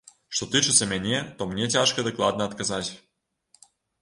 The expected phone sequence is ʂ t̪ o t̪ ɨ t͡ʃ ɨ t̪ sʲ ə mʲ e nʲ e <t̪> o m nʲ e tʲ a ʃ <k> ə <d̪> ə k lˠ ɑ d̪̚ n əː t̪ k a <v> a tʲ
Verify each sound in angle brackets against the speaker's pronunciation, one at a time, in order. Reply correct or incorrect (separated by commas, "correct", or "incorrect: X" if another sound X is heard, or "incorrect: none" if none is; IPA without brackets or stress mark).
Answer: correct, correct, correct, incorrect: z